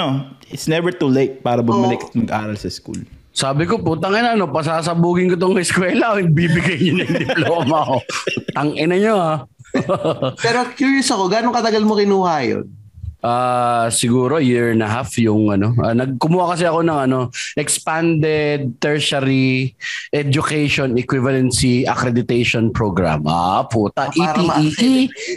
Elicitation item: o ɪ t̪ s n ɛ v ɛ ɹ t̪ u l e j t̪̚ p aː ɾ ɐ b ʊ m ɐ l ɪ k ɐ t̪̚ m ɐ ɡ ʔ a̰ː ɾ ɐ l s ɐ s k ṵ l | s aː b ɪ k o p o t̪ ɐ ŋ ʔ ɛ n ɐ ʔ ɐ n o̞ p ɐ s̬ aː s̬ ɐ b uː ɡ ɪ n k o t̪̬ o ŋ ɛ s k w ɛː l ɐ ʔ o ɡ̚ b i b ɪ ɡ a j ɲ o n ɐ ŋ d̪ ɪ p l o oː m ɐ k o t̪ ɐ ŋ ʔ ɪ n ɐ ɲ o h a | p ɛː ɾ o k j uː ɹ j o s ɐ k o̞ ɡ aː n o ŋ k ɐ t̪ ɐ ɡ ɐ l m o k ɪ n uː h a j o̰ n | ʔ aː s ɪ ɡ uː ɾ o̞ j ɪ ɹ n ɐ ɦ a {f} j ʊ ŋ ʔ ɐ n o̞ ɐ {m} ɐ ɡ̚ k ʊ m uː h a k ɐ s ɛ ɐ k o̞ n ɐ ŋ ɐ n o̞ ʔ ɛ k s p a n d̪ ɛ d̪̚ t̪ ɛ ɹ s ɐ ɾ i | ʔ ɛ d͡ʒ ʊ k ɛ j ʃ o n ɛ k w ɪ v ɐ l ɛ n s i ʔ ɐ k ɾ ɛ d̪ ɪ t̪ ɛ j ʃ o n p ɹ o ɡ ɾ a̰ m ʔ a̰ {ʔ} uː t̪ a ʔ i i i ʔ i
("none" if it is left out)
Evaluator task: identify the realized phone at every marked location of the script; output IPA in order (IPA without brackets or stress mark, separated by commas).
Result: f, n, p